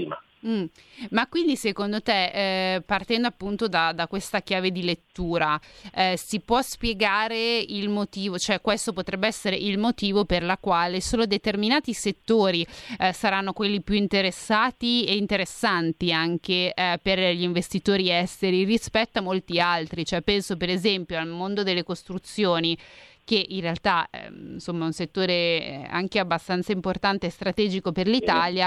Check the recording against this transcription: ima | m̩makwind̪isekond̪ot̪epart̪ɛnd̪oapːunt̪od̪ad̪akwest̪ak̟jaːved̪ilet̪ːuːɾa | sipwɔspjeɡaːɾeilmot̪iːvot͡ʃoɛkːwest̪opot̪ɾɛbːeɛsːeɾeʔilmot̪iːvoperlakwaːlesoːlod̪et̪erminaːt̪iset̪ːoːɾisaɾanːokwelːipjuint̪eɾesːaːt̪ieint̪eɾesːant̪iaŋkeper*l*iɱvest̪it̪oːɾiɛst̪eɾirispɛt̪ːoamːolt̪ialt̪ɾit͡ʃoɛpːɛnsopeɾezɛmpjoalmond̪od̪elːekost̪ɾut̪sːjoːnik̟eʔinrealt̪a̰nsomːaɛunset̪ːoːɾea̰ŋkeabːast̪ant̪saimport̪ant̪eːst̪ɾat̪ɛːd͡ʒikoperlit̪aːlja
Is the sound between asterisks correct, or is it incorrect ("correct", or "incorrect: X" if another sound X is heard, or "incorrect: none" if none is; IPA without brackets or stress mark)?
incorrect: ʎ